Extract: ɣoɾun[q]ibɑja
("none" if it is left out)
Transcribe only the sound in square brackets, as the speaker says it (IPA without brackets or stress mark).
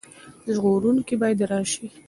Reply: k